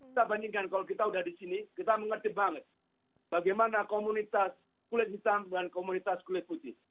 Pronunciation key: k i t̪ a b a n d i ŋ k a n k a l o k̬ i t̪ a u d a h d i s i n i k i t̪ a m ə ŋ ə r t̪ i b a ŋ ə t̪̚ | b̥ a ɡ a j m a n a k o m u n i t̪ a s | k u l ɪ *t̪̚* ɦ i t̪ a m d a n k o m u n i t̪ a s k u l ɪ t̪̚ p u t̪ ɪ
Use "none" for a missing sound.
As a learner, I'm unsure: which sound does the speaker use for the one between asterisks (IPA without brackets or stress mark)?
t̪̚